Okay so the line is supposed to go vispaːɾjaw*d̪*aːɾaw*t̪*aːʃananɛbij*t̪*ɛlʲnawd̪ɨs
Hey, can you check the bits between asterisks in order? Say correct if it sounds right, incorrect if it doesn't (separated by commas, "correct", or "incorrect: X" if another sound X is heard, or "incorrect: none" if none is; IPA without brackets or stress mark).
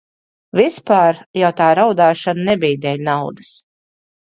incorrect: t̪, incorrect: d̪, incorrect: d̪